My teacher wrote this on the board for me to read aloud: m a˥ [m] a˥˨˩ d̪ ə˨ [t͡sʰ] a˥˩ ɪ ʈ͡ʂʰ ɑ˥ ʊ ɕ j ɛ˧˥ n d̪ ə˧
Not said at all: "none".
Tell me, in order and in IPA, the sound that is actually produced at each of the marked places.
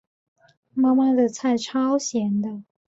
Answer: m, t͡sʰ

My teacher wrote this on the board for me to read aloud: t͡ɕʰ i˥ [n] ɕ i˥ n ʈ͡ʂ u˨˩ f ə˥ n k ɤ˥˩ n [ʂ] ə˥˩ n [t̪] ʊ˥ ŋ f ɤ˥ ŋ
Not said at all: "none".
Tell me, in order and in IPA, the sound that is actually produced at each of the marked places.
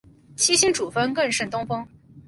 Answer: none, ʂ, t̪

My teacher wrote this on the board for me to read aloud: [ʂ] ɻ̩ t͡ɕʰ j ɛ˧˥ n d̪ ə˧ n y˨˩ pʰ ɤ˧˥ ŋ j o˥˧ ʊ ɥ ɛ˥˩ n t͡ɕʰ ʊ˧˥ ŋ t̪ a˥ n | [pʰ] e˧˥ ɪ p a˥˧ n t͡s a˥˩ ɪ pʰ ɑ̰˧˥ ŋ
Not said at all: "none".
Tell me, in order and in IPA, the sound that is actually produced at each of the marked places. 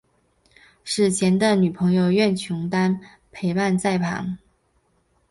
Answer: ʂ, pʰ

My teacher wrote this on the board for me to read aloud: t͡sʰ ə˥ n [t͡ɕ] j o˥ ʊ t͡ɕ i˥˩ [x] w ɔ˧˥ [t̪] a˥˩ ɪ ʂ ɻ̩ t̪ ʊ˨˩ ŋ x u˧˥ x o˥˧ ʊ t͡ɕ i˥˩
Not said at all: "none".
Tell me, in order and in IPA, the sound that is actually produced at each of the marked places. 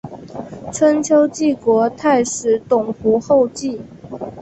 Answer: t͡ɕʰ, k, t̪ʰ

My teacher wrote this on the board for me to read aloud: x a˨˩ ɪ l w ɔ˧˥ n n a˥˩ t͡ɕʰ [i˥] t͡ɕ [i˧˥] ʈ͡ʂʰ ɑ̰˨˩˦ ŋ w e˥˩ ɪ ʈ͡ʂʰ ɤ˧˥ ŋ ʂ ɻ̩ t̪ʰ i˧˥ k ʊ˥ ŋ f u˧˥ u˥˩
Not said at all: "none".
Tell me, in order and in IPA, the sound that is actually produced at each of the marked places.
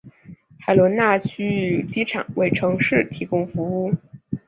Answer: y˥, i˥

